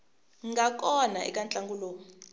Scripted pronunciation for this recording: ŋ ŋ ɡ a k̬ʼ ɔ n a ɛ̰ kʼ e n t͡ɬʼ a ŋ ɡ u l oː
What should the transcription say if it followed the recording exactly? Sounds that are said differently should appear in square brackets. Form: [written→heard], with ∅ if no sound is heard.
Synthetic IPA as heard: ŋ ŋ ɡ a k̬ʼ ɔ n a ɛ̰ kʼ [e→a] n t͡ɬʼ a ŋ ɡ u l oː